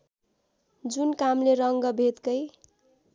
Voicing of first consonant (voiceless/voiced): voiced